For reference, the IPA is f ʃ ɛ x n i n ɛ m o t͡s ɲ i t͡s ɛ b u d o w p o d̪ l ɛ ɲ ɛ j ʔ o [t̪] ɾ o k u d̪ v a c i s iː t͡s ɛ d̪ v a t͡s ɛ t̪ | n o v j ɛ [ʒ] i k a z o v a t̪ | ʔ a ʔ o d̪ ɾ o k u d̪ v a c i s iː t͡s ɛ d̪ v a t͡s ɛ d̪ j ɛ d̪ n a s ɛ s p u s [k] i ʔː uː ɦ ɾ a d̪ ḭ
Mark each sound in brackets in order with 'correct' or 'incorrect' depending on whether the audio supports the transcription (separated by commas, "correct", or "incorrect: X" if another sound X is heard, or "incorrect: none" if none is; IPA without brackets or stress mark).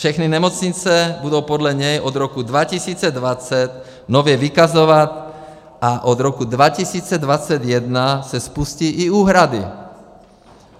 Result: incorrect: d̪, incorrect: v, incorrect: c